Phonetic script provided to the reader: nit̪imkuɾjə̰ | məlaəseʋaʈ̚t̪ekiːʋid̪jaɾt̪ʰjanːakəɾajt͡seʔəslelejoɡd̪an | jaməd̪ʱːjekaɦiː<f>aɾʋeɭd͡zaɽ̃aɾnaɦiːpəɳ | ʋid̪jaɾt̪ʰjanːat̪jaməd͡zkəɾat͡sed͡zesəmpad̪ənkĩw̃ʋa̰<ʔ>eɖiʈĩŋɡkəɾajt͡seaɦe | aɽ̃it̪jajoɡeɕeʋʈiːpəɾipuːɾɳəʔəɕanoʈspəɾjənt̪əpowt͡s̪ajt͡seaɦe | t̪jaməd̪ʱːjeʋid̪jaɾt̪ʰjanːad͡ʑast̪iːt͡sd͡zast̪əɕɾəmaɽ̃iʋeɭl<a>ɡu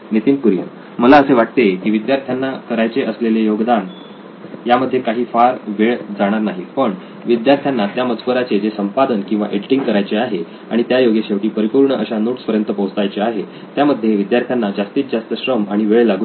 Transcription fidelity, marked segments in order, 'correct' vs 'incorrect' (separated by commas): correct, correct, correct